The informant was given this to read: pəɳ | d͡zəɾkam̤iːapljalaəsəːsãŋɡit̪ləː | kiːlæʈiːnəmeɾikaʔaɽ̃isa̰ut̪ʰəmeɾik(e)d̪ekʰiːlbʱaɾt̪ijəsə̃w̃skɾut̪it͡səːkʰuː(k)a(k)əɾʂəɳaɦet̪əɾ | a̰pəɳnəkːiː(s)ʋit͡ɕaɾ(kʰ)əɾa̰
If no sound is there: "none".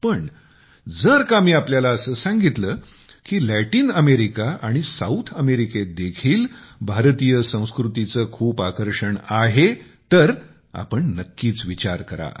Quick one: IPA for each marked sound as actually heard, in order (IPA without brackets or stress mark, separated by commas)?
e, p, k, t͡s, k